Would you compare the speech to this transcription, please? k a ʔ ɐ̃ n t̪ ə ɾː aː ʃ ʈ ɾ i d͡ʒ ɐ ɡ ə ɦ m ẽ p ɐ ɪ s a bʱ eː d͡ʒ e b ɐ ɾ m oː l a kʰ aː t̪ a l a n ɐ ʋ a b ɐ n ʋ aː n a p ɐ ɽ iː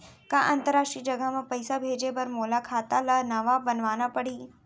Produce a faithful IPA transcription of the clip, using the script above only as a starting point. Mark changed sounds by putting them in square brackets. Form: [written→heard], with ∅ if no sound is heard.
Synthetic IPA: k a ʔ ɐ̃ n t̪ ə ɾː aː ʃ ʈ ɾ i d͡ʒ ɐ ɡ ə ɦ m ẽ p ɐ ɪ s a bʱ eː d͡ʒ e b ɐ ɾ m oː l a kʰ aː t̪ a l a n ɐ ʋ a b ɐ n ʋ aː n a p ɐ ɽ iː